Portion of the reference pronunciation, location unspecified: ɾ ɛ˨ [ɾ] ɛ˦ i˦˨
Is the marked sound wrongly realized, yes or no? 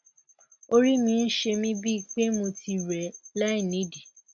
yes